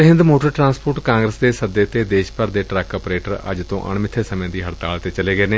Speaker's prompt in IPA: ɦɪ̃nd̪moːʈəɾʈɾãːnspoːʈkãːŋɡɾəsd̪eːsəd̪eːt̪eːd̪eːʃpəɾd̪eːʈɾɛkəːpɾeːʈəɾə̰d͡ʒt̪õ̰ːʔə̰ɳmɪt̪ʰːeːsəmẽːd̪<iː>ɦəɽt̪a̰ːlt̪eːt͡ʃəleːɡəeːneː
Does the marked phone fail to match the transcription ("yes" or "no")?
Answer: no